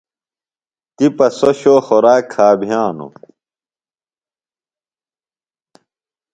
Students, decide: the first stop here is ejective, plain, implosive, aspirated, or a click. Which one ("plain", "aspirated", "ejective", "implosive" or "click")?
plain